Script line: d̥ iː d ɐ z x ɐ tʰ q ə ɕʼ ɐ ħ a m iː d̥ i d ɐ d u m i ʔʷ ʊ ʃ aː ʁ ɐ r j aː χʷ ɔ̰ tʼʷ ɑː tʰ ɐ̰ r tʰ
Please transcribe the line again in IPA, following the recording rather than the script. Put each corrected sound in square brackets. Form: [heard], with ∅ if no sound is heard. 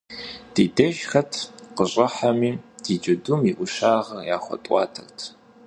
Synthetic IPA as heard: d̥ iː d ɐ [ʒ] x ɐ tʰ q ə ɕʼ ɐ ħ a m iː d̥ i [d͡ʒ] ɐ d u m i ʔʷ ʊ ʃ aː ʁ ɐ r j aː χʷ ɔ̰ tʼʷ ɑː tʰ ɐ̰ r tʰ